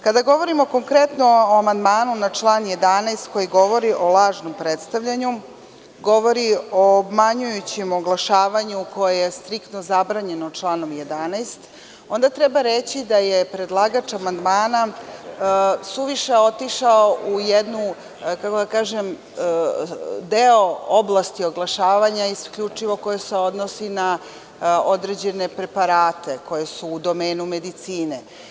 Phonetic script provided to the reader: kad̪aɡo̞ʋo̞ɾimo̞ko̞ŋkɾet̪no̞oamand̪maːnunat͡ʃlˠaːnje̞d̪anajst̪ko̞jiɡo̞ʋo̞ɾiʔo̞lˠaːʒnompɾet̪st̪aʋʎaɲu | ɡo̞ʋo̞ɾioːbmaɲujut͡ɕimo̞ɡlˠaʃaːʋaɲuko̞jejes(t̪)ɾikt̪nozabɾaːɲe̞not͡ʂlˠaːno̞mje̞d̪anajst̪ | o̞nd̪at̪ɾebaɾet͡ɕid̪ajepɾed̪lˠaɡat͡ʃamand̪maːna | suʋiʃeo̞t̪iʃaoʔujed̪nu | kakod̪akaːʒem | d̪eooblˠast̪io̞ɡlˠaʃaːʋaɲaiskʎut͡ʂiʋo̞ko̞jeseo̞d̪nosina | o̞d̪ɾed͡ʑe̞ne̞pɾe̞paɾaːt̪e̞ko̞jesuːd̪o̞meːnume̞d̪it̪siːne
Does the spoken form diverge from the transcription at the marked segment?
no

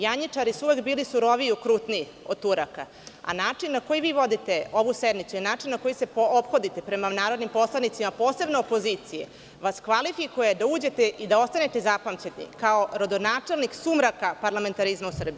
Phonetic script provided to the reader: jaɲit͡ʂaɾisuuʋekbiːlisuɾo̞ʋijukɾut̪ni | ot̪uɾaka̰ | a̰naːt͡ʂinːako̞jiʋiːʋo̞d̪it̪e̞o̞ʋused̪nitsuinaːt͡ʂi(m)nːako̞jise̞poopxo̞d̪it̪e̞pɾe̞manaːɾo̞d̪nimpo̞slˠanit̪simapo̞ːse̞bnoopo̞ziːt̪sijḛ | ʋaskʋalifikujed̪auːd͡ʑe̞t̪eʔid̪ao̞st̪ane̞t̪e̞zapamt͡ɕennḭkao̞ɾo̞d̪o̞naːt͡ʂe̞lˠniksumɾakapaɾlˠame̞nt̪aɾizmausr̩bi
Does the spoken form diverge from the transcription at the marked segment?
yes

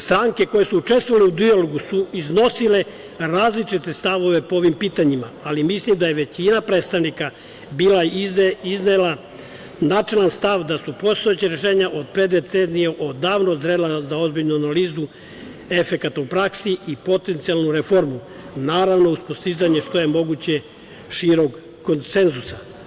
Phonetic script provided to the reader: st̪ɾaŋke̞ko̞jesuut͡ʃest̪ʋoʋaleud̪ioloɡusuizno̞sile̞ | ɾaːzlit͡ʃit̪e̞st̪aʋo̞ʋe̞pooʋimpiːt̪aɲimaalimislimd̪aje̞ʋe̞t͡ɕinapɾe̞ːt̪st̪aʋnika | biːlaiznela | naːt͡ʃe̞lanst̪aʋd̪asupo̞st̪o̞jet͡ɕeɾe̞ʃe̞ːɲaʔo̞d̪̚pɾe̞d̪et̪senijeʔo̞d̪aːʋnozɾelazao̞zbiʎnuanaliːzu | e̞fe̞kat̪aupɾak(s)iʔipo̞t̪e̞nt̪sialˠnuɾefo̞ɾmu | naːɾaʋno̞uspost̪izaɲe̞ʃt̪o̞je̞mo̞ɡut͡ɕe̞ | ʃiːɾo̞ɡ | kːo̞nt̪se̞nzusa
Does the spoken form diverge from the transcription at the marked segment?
no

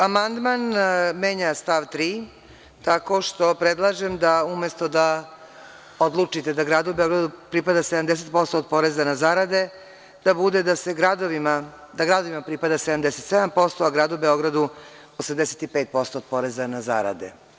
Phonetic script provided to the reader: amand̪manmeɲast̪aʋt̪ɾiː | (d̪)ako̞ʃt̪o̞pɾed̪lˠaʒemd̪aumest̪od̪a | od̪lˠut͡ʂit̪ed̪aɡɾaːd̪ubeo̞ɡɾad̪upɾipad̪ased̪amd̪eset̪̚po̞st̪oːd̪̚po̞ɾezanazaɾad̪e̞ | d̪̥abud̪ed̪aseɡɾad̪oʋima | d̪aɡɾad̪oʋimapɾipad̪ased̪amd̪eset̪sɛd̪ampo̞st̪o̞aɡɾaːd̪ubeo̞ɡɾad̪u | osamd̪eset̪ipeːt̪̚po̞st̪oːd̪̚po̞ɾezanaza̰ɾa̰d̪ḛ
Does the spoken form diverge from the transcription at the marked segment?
yes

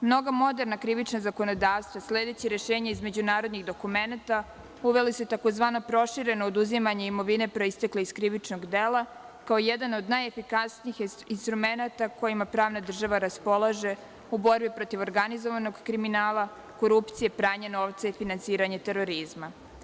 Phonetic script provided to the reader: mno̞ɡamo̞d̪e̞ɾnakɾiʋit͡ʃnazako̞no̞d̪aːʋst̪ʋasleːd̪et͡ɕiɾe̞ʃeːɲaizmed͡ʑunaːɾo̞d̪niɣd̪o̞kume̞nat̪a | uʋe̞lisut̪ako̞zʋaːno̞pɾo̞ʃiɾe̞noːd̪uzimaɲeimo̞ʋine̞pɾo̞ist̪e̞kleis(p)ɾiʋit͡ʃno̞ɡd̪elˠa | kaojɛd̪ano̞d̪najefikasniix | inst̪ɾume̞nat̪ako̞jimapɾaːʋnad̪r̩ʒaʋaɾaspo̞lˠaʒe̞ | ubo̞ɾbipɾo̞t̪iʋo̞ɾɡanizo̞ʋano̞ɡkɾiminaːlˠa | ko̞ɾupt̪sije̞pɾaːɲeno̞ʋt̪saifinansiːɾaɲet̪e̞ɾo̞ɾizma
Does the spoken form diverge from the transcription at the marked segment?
yes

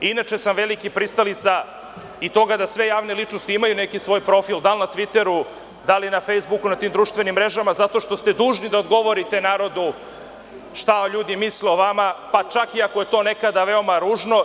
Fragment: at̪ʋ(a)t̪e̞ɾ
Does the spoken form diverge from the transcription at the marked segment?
yes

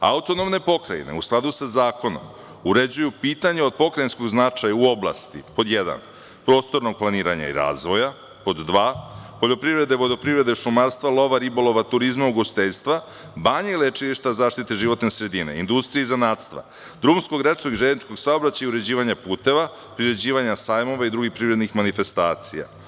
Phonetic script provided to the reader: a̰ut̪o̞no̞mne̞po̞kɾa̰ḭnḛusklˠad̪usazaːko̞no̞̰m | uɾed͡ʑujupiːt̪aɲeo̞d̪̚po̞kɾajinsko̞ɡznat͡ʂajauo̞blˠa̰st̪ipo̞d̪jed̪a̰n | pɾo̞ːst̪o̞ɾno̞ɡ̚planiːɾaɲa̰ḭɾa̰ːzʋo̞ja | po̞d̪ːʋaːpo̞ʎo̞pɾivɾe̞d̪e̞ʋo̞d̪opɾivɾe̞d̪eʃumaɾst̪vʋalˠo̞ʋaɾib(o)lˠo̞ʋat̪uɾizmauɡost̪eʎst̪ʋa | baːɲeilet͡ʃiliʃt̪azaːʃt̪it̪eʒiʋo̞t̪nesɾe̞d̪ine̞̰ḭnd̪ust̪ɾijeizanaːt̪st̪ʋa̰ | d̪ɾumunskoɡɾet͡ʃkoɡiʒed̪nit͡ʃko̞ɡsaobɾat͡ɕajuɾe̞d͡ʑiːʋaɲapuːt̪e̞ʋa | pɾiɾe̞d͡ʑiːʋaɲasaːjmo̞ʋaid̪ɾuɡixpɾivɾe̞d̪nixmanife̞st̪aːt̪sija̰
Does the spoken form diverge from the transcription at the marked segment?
no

